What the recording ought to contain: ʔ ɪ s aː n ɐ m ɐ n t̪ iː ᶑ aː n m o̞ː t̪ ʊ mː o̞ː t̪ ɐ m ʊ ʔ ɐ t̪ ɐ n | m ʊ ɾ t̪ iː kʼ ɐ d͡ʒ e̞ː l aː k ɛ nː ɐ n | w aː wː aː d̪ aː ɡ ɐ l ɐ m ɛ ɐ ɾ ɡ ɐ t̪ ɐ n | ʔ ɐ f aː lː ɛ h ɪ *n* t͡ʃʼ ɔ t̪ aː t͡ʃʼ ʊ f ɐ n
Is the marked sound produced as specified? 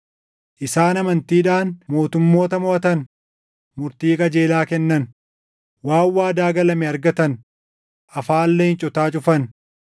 yes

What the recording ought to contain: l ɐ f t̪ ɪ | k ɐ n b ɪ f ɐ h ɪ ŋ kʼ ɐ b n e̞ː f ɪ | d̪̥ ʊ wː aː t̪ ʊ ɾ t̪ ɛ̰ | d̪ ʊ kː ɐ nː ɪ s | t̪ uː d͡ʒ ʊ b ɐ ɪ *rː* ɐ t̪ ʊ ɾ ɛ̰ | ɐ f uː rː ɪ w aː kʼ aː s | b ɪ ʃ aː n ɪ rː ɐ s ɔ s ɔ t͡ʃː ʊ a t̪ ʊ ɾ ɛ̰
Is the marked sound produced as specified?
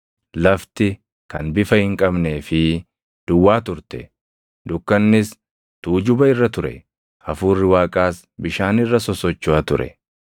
yes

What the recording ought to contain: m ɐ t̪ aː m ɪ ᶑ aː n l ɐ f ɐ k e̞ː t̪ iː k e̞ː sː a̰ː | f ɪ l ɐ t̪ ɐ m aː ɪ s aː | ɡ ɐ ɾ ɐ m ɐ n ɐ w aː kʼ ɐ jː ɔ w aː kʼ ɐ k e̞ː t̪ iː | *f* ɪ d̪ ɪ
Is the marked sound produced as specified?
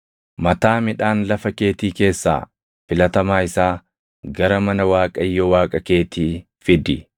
yes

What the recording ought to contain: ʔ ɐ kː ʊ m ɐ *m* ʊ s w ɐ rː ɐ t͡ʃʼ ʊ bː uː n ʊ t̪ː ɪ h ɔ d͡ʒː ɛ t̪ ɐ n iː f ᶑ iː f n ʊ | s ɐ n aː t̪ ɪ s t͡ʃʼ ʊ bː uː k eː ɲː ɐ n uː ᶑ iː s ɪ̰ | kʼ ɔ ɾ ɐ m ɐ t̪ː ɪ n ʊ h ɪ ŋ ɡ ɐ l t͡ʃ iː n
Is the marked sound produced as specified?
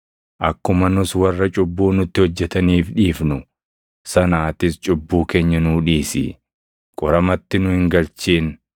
no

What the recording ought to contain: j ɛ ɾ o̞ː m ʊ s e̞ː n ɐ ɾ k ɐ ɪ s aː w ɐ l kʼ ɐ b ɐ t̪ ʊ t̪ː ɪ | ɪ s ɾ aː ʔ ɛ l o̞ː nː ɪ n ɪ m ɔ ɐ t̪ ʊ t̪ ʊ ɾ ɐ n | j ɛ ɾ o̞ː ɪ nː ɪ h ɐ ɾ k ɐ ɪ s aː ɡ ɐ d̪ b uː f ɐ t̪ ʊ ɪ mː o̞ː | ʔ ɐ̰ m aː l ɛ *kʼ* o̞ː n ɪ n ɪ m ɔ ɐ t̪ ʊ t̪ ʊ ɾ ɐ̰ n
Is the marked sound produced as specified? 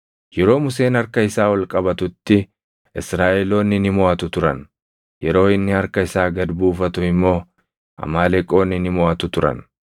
yes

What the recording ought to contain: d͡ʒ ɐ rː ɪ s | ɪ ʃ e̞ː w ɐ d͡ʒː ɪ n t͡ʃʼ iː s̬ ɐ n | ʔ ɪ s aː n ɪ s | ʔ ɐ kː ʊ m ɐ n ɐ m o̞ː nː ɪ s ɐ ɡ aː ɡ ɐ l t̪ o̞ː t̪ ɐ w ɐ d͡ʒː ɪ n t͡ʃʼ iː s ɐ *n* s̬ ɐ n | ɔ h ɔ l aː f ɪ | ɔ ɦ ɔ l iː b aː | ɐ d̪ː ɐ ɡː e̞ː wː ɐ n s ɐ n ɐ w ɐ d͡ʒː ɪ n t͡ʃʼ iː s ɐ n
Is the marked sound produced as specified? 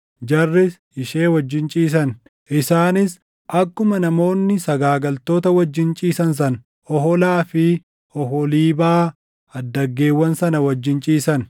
yes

